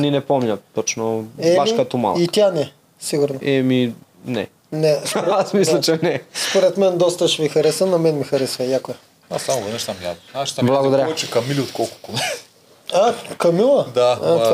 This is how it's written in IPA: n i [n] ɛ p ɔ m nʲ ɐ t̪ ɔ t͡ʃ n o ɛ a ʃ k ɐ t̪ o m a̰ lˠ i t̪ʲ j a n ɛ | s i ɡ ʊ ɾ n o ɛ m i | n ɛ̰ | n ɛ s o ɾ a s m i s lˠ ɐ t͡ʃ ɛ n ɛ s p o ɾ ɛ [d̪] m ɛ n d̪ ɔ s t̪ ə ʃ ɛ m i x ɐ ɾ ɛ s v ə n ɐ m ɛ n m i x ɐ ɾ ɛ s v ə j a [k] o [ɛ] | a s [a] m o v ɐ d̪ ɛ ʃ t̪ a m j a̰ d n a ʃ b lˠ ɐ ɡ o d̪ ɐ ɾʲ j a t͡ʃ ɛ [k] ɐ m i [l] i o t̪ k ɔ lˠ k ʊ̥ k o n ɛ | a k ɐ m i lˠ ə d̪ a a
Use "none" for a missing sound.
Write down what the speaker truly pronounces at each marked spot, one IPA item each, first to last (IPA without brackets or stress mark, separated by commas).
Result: n, t̪, k, ɛ, a, k, l